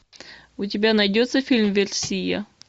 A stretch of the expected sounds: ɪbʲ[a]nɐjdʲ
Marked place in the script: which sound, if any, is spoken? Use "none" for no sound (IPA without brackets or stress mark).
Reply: a